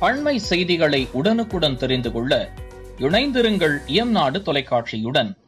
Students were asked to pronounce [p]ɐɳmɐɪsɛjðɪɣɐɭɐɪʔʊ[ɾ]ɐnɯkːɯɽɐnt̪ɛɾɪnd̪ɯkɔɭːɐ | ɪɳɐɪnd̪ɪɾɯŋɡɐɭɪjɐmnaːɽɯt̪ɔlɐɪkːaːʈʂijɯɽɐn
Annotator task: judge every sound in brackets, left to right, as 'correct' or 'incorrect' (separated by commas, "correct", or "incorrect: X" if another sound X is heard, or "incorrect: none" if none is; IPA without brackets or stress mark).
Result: correct, incorrect: ɽ